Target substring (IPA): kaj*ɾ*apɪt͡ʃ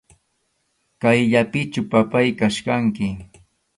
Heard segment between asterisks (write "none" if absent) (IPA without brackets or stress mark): ʎ